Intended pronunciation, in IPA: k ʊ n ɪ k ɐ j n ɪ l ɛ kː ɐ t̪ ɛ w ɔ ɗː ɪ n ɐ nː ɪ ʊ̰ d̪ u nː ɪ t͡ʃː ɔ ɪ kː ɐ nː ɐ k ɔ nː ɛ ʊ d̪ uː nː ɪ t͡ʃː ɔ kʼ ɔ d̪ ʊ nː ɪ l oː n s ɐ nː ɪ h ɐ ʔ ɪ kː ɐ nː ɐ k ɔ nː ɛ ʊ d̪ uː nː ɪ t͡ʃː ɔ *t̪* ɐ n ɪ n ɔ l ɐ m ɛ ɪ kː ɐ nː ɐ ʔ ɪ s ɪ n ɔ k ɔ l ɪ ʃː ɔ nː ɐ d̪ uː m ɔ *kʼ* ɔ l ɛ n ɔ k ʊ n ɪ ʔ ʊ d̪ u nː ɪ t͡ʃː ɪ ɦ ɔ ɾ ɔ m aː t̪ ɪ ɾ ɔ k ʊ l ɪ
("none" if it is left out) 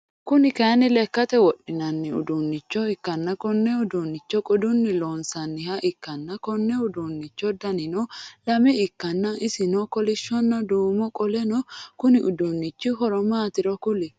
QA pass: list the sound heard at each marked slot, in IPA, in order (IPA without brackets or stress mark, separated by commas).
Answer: d̪, kʼ